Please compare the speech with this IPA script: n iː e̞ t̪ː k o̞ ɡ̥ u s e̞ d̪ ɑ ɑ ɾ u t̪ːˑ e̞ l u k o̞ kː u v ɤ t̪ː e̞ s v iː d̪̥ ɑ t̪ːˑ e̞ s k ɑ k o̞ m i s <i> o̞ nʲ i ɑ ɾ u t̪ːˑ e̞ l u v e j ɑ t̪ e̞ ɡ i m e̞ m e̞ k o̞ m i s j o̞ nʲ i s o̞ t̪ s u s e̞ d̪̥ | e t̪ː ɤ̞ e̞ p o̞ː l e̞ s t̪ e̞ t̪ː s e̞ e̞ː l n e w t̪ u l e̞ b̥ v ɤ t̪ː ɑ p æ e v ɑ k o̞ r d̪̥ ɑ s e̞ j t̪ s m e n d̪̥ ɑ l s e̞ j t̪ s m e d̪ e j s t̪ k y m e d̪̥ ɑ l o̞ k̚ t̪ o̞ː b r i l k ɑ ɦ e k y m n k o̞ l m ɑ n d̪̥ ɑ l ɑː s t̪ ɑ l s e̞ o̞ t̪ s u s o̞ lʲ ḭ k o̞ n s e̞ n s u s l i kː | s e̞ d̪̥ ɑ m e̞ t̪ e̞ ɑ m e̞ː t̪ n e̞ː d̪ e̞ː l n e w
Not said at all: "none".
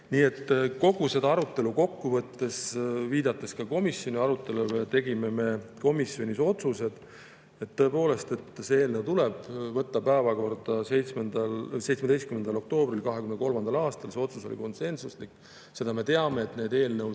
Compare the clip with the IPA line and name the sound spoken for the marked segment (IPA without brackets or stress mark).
j